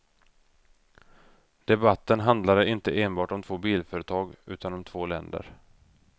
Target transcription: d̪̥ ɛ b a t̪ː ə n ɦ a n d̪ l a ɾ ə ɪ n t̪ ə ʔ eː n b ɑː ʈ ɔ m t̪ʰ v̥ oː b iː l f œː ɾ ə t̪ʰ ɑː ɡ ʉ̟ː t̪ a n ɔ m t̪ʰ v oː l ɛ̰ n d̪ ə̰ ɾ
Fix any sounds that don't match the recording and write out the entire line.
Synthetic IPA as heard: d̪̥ ɛ b a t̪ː ə n ɦ a n d̪ l a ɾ ə ɪ n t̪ ə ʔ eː n b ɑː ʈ ɔ m t̪ʰ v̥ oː b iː l f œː ɾ ə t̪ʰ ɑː ɡ ʉ̟ː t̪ a n ɔ m t̪ʰ v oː l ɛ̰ n d̪ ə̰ ɾ